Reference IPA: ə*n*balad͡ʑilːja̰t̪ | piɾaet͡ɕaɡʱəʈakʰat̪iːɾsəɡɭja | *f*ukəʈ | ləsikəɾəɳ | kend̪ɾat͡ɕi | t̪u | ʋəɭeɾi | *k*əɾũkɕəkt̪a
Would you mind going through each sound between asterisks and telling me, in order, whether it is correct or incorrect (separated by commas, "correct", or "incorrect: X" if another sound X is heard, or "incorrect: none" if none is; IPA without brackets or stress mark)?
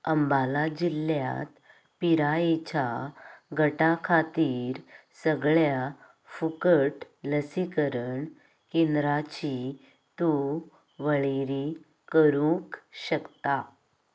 incorrect: m, correct, correct